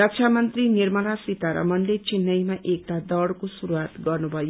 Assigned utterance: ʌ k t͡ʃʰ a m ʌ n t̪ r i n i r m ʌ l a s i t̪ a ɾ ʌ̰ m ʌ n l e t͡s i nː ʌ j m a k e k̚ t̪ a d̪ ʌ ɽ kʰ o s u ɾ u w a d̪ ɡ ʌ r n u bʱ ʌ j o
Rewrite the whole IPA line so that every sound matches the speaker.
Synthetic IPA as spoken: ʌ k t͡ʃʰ a m ʌ n t̪ r i n i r m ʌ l a s i t̪ a ɾ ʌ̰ m ʌ n l e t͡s i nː ʌ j m a ʔ e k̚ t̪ a d̪ ʌ ɽ k o s u ɾ u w a t̪ ɡ ʌ r n u bʱ ʌ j o